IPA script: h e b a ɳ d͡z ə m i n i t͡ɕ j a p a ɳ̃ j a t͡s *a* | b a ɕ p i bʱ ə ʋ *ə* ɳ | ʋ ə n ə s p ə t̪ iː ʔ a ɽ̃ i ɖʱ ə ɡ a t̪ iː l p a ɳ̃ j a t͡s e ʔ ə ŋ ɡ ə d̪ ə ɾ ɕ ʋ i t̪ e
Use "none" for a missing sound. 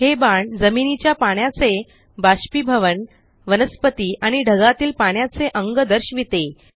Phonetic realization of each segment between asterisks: e, ə

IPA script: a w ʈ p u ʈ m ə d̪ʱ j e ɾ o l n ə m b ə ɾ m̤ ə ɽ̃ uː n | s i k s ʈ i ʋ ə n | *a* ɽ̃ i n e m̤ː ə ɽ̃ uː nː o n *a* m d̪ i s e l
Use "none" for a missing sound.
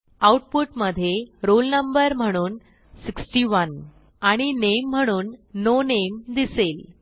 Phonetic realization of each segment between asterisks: a, e

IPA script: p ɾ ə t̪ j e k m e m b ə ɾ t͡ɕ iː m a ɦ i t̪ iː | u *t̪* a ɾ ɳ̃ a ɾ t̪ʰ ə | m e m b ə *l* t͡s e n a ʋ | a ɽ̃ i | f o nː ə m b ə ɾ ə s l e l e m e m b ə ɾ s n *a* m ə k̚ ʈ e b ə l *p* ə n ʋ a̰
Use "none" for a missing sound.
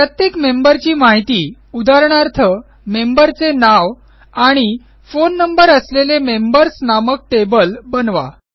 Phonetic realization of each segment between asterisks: d̪, ɾ, a, b

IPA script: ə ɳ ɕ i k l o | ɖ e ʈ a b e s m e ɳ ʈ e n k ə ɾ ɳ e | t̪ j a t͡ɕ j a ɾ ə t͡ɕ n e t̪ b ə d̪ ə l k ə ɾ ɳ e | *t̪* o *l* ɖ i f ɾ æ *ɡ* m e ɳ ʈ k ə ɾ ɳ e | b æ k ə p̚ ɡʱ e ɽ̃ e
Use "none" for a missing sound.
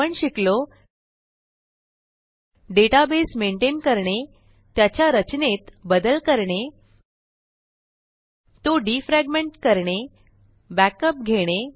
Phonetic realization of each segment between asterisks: t̪, none, ɡ

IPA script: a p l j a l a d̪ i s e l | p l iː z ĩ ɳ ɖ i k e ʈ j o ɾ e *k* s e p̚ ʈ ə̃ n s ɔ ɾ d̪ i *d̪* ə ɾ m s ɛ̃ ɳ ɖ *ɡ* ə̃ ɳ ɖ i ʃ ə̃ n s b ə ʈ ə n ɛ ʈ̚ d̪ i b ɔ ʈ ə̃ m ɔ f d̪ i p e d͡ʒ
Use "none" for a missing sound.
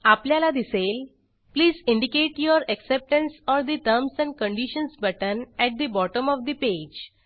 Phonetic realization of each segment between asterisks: k, t̪, k

